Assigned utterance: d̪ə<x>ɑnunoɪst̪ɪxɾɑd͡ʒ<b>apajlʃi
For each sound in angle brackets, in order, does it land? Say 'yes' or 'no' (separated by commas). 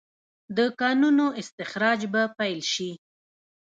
no, yes